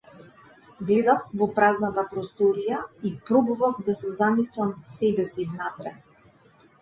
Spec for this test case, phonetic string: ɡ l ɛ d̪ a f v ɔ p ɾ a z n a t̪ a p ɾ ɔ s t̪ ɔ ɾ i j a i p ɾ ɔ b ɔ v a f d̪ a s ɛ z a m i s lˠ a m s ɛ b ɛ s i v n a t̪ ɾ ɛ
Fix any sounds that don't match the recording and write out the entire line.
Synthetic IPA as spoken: ɡ l ɛ d̪ a f v ɔ p ɾ a z n a t̪ a p ɾ ɔ s t̪ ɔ ɾ i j a i p ɾ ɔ b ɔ v a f d̪ a s ɛ z a m i s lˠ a m s ɛ b ɛ s i v n a t̪ ɾ ɛ

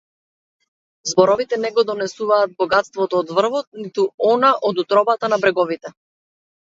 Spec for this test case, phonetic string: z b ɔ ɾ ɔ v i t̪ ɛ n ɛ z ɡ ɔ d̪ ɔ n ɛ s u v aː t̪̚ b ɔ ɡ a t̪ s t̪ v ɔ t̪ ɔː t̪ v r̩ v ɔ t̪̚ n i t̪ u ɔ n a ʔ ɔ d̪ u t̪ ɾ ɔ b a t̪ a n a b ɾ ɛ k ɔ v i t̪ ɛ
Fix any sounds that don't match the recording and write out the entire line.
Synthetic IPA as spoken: z b ɔ ɾ ɔ v i t̪ ɛ n ɛ ɡ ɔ d̪ ɔ n ɛ s u v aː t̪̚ b ɔ ɡ a t̪ s t̪ v ɔ t̪ ɔː d̪ v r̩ v ɔ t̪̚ n i t̪ u ɔ n a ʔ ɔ d̪ u t̪ ɾ ɔ b a t̪ a n a b ɾ ɛ ɡ ɔ v i t̪ ɛ

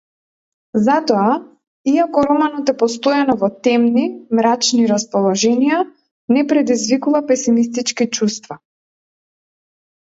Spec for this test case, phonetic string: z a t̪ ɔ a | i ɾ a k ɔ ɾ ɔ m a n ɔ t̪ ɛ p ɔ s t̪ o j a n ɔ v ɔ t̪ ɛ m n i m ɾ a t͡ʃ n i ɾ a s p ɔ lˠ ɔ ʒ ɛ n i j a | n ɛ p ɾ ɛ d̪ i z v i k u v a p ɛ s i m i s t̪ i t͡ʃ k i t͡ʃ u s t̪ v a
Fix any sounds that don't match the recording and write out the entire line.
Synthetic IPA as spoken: z a t̪ ɔ a | i a k ɔ ɾ ɔ m a n ɔ t̪ ɛ p ɔ s t̪ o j a n ɔ v ɔ t̪ ɛ m n i m ɾ a t͡ʃ n i ɾ a s p ɔ lˠ ɔ ʒ ɛ n i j a | n ɛ p ɾ ɛ d̪ i z v i k u v a p ɛ s i m i s t̪ i t͡ʃ k i t͡ʃ u s t̪ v a

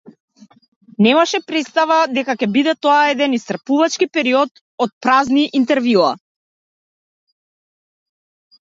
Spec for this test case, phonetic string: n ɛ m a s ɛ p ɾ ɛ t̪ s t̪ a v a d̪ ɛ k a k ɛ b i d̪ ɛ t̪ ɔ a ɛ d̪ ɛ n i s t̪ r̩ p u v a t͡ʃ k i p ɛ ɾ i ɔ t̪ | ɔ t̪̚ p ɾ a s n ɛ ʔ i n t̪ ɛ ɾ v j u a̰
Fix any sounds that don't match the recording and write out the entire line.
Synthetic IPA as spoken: n ɛ m a ʃ ɛ p ɾ ɛ t̪ s t̪ a v a d̪ ɛ k a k ɛ b i d̪ ɛ t̪ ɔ a ɛ d̪ ɛ n i s t̪ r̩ p u v a t͡ʃ k i p ɛ ɾ i ɔ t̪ | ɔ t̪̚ p ɾ a z n i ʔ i n t̪ ɛ ɾ v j u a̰

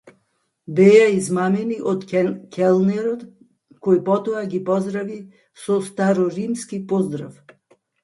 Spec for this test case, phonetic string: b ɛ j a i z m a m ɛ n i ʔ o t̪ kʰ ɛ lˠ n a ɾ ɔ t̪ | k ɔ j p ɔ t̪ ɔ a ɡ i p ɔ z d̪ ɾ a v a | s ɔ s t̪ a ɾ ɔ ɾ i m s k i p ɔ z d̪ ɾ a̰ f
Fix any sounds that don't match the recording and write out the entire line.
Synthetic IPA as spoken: b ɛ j a i z m a m ɛ n i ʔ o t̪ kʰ ɛ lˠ n ɛ ɾ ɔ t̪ | k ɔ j p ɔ t̪ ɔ a ɡ i p ɔ z d̪ ɾ a v i | s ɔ s t̪ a ɾ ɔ ɾ i m s k i p ɔ z d̪ ɾ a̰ f

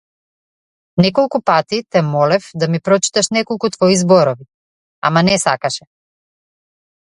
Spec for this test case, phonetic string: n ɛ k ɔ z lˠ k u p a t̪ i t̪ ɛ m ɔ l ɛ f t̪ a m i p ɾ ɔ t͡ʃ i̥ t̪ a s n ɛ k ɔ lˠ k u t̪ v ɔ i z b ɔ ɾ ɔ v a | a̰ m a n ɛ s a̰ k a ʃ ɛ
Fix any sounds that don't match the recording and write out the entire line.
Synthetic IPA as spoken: n ɛ k ɔ lˠ k u p a t̪ i t̪ ɛ m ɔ l ɛ f d̪ a m i p ɾ ɔ t͡ʃ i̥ t̪ a ʃ n ɛ k ɔ lˠ k u t̪ v ɔ i z b ɔ ɾ ɔ v i | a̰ m a n ɛ s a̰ k a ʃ ɛ

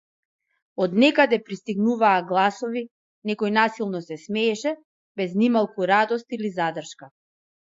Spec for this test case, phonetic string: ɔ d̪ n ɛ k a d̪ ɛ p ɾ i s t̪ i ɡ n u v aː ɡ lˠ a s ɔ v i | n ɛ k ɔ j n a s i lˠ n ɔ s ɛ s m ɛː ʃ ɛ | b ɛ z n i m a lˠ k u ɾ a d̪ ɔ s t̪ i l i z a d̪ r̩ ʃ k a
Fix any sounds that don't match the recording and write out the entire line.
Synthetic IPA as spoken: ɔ d̪ n ɛ k a d̪ ɛ p ɾ i s t̪ i ɡ n u v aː ɡ lˠ a s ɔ v i | n ɛ k ɔ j n a s i lˠ n ɔ s ɛ s m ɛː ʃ ɛ | b ɛ z n i m a lˠ k u ɾ a d̪ ɔ s t̪ i l i z a d̪ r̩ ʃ k a

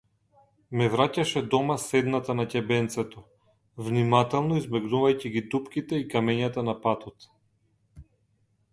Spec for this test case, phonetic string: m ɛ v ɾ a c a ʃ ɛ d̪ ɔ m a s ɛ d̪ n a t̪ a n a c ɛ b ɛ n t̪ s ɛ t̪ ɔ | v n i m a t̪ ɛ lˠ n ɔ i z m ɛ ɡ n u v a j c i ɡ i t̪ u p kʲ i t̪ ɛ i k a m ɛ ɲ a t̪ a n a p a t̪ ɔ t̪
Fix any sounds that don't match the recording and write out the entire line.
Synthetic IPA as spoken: m ɛ v ɾ a c a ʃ ɛ d̪ ɔ m a s ɛ d̪ n a t̪ a n a c ɛ b ɛ n t̪ s ɛ t̪ ɔ | v n i m a t̪ ɛ lˠ n ɔ i z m ɛ ɡ n u v a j c i ɡ i d̪ u p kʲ i t̪ ɛ i k a m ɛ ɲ a t̪ a n a p a t̪ ɔ t̪

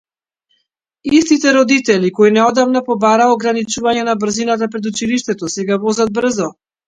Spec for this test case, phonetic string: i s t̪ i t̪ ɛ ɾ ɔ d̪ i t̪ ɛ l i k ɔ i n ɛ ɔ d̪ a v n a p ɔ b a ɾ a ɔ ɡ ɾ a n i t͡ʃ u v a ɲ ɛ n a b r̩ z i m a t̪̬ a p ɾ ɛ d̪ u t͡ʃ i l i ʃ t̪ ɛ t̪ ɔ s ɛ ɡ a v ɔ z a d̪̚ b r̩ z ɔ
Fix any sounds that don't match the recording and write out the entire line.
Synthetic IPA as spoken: i s t̪ i t̪ ɛ ɾ ɔ d̪ i t̪ ɛ l i k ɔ i n ɛ ɔ d̪ a v n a p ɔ b a ɾ a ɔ ɡ ɾ a n i t͡ʃ u v a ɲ ɛ n a b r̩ z i n a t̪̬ a p ɾ ɛ d̪ u t͡ʃ i l i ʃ t̪ ɛ t̪ ɔ s ɛ ɡ a v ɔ z a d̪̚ b r̩ z ɔ

